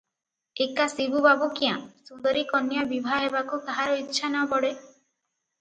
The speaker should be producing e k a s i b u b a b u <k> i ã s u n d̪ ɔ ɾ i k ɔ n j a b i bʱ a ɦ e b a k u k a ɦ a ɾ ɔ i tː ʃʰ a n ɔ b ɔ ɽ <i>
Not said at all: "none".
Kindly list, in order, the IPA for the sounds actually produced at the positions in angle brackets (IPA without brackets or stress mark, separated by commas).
k, e